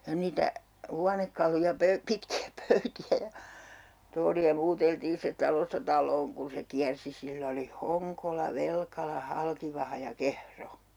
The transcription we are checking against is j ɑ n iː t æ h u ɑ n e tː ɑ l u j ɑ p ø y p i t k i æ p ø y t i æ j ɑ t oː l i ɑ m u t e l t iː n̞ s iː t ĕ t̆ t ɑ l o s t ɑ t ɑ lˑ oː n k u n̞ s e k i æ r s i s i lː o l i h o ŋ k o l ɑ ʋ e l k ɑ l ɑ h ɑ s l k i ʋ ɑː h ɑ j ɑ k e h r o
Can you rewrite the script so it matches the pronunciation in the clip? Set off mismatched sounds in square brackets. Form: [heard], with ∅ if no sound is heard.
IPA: j ɑ n iː t æ h u ɑ n e [kː] ɑ l u j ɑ p ø y p i t k i æ p ø y t i æ j ɑ t oː l i ɑ m [uː] t e l t iː n̞ s [i] t ĕ t̆ t ɑ l o s t ɑ t ɑ lˑ oː n k u n̞ s e k i æ r s i s i lː o l i h o ŋ k o l ɑ ʋ e l k ɑ l ɑ h ɑ [∅] l k i ʋ [ɑ] h ɑ j ɑ k e h r o